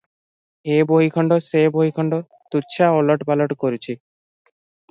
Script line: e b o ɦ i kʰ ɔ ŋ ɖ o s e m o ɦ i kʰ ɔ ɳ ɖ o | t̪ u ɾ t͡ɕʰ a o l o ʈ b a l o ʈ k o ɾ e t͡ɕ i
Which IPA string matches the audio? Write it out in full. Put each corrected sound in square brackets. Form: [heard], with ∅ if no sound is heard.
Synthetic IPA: e b o ɦ i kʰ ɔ [ɳ] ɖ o s e [b] o ɦ i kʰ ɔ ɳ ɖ o | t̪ u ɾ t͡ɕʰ a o l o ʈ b a l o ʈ k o ɾ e [t͡ɕʰ] i